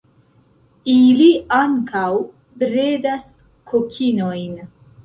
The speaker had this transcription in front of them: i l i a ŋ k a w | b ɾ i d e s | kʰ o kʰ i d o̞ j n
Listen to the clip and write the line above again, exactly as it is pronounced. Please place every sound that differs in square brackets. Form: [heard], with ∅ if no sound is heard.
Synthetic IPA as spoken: i l i a ŋ k a w | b ɾ [e] d [a] s | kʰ o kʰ i [n] o̞ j n